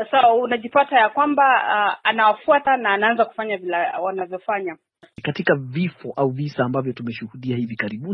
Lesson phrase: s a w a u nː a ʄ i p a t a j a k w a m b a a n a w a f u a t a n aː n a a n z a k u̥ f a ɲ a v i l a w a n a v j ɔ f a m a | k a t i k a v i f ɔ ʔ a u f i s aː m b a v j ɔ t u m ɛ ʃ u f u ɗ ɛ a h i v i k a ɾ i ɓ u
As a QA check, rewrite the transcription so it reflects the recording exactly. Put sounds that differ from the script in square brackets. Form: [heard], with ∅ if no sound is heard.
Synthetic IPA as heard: s a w a u [n] a ʄ i p a t a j a k w a m b a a n a w a f u a t a n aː n a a n z a k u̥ f a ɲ a v i l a w a n a v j ɔ f a [ɲ] a | k a t i k a v i f ɔ ʔ a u [v] i s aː m b a v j ɔ t u m ɛ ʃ u [h] u ɗ [i] a h i v i k a ɾ i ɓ u